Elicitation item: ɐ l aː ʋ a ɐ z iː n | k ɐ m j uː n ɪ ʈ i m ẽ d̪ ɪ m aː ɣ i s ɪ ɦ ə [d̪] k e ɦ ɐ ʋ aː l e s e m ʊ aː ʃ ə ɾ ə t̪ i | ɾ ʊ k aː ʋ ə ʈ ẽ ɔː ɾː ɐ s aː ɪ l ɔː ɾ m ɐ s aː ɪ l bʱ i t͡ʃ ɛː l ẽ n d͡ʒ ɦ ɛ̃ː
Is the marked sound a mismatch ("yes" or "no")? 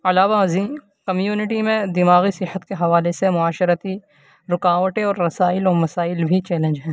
yes